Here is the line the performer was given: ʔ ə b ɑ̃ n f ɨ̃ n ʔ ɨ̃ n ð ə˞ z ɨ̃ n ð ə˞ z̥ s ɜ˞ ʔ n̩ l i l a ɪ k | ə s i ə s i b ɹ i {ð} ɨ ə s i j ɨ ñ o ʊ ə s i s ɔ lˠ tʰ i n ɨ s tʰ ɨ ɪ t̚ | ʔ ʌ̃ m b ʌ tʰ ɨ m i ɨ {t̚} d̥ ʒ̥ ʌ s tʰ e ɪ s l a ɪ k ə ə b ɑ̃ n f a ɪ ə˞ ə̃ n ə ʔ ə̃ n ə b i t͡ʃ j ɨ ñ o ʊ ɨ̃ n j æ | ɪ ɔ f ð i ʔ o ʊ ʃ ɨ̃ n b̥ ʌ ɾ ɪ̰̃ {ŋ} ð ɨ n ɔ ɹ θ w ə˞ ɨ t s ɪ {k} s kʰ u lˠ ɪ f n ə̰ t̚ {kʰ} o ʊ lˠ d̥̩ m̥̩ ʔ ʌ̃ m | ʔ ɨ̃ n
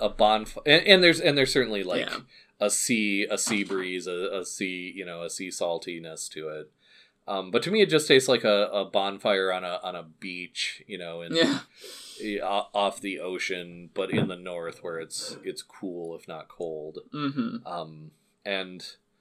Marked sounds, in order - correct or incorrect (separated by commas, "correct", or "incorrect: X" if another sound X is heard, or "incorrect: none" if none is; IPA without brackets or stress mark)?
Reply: incorrect: z, correct, incorrect: n, incorrect: t, correct